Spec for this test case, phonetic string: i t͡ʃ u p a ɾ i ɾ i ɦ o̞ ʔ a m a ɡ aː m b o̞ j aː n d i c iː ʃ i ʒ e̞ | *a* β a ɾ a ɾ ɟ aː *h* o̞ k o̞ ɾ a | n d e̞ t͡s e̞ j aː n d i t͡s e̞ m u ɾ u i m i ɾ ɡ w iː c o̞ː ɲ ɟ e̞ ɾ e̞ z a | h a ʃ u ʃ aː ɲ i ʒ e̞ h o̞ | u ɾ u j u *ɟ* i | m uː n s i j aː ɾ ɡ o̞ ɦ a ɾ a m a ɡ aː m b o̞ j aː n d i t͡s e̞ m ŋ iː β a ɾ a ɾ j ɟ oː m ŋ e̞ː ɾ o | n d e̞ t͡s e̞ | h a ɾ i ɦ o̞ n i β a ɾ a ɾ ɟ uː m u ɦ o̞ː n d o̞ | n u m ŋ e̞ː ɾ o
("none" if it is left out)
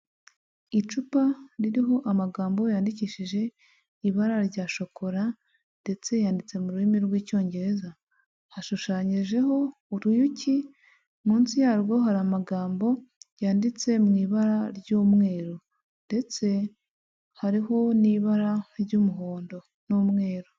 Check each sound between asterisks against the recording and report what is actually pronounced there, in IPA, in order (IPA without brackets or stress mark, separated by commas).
i, ʃ, c